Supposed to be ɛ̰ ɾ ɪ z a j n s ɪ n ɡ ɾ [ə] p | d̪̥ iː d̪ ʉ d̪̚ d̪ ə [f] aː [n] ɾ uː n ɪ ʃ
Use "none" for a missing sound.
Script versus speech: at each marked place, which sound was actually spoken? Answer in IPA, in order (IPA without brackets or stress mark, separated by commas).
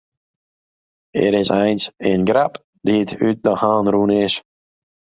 a, h, n